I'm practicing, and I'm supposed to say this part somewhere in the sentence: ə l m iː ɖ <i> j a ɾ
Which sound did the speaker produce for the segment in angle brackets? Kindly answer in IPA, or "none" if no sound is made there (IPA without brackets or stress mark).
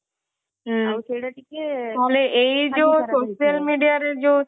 i